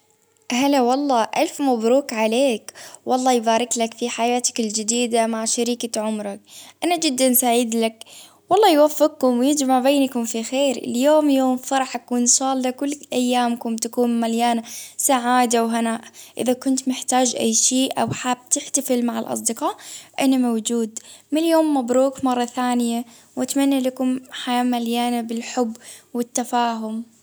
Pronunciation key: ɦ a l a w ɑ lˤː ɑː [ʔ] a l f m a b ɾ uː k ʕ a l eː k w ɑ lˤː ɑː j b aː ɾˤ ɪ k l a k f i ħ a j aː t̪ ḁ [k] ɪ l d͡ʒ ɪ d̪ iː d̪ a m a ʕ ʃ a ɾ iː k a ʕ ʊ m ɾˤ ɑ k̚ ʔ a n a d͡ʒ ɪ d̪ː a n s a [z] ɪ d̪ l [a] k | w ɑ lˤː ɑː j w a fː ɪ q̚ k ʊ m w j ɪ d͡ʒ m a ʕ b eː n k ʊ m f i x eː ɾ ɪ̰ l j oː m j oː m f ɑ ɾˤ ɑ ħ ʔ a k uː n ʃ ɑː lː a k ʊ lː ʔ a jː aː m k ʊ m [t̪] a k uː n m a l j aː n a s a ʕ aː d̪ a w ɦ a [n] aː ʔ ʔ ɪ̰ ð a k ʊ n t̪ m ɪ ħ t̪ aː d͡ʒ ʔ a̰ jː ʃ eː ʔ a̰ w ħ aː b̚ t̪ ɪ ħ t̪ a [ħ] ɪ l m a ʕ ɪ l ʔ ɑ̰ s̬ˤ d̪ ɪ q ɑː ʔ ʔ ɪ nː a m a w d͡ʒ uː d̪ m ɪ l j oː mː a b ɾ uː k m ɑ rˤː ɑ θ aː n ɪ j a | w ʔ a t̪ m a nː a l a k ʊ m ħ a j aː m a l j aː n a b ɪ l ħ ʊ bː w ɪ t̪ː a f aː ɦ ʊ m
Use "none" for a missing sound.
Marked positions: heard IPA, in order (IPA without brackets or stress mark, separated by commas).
ʔ, k, ʕ, a, t̪, n, f